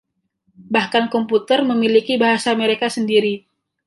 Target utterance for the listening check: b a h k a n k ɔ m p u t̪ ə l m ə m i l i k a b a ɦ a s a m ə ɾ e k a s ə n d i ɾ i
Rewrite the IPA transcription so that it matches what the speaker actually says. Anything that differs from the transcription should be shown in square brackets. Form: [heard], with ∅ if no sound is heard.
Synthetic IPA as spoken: b a h k a n k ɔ m p u t̪ ə [r] m ə m i l i k [i] b a ɦ a s a m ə ɾ e k a s ə n d i ɾ i